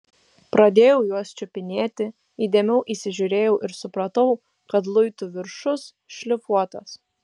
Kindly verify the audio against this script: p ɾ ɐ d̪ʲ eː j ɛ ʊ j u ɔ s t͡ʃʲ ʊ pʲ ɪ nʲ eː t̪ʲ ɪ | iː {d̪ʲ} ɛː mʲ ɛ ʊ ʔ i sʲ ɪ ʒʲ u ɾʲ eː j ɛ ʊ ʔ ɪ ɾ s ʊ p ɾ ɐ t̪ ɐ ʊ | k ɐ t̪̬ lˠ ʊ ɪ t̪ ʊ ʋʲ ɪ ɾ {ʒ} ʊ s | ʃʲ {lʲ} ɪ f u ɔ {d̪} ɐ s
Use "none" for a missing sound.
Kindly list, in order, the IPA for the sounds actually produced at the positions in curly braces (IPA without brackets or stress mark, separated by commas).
d̪ʲ, ʃ, lʲ, t̪